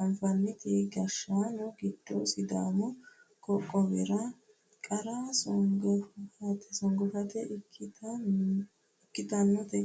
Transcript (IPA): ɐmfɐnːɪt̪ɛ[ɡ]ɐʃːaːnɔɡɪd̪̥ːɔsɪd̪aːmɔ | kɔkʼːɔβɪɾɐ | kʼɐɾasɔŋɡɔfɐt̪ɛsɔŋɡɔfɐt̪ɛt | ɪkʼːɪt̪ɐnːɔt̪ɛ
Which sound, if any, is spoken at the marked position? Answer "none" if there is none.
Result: ɡ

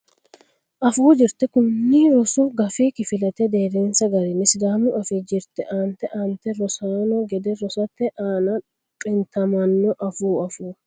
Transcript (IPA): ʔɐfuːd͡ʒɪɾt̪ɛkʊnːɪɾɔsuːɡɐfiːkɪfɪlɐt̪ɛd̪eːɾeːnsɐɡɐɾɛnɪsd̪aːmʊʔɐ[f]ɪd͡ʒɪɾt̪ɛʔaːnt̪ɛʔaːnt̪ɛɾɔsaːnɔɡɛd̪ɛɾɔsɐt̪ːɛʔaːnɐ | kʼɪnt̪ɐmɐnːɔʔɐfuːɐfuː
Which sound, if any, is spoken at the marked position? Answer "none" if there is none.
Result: f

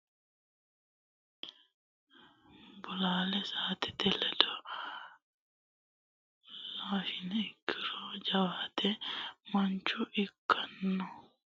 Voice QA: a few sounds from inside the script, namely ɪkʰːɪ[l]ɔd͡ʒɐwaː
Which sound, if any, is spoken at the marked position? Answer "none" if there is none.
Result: ɾ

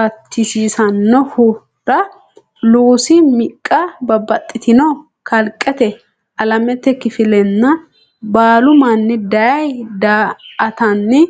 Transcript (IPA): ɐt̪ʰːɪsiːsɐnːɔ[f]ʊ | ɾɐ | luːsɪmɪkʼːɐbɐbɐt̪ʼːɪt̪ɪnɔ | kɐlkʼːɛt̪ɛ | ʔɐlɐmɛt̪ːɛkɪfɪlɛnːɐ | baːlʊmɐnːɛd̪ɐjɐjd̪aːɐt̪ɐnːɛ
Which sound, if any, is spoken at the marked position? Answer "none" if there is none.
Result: h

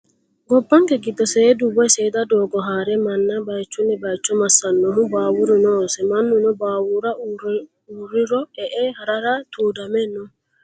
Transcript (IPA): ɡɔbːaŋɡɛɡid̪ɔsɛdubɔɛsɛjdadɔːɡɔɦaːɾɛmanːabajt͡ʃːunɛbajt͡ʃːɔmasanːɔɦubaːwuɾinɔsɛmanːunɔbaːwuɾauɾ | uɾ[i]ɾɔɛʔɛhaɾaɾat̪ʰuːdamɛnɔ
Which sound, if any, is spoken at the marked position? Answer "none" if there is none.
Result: i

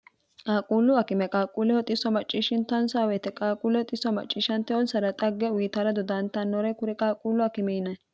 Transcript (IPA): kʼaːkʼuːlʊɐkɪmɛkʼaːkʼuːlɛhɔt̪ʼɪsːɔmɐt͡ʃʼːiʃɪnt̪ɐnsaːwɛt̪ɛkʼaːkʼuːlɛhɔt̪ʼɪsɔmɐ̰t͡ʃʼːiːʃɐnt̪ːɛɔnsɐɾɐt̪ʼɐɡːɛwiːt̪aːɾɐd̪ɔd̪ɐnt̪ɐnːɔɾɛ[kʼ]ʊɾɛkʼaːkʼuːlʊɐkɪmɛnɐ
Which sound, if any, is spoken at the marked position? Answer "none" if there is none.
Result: k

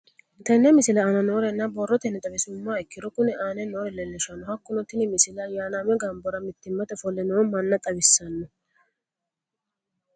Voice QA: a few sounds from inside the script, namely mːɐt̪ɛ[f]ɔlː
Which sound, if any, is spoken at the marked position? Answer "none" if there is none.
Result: f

